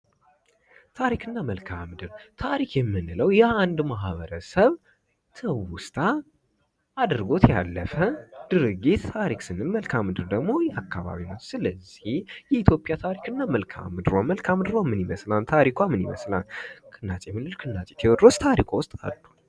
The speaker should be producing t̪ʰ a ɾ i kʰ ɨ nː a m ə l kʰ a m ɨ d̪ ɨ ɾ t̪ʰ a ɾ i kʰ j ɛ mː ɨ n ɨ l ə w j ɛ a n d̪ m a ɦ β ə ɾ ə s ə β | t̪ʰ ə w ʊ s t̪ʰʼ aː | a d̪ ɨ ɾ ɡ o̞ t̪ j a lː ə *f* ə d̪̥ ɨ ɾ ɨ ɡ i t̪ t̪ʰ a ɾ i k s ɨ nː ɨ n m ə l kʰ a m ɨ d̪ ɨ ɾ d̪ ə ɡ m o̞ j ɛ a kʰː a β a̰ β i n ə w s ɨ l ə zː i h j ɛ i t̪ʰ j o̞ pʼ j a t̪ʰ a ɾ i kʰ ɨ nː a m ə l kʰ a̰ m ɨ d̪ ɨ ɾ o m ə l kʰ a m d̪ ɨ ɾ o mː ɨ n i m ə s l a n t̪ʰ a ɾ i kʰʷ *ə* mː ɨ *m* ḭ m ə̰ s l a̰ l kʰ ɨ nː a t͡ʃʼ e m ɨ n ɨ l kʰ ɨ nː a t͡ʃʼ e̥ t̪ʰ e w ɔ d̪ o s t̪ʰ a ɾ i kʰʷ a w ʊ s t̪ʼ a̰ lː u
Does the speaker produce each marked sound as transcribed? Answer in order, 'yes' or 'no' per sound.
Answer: yes, no, no

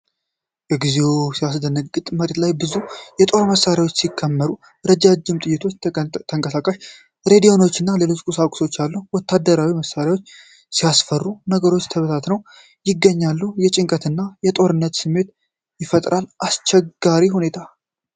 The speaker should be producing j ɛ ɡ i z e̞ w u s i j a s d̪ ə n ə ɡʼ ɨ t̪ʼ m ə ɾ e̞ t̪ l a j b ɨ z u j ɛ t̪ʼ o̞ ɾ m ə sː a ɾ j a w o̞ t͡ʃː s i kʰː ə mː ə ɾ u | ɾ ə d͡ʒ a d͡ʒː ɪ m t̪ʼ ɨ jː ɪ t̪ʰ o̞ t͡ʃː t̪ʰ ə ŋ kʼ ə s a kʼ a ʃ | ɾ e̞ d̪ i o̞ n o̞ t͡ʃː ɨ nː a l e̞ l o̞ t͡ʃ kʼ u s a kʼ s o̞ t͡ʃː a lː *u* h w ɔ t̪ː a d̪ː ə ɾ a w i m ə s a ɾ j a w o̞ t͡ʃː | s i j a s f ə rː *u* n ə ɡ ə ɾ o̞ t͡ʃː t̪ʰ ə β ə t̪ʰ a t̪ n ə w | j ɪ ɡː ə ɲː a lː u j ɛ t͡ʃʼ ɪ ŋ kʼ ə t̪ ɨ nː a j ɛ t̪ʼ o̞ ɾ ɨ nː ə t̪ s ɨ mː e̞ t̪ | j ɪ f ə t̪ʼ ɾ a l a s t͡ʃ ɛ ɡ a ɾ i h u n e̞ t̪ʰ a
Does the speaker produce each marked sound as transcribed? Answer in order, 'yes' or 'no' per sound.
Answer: yes, yes

